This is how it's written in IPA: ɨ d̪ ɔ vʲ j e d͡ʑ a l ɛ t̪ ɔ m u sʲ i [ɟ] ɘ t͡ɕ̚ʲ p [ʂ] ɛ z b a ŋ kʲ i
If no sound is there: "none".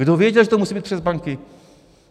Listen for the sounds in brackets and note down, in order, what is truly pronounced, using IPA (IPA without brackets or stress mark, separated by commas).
b, ʂ